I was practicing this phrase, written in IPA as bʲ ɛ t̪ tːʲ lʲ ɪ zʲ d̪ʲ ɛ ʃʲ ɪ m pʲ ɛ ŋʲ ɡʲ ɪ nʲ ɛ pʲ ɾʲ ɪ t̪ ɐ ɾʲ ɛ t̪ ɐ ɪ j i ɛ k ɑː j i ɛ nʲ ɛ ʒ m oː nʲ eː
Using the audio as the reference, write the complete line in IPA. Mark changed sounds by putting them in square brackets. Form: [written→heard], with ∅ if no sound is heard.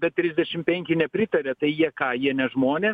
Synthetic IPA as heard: bʲ ɛ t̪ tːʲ [lʲ→ɾʲ] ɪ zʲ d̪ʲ ɛ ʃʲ ɪ m pʲ ɛ ŋʲ [ɡʲ→kʲ] ɪ nʲ ɛ pʲ ɾʲ ɪ t̪ ɐ ɾʲ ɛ t̪ ɐ ɪ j i ɛ k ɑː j i ɛ nʲ ɛ ʒ m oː nʲ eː